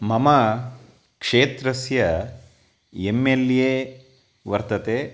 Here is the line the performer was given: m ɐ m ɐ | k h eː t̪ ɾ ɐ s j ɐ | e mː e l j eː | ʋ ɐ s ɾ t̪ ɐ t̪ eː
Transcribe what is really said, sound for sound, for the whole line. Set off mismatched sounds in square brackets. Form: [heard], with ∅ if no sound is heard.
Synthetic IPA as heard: m ɐ m ɐ | k [ʂ] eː t̪ ɾ ɐ s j ɐ | e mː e l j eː | ʋ ɐ [∅] ɾ t̪ ɐ t̪ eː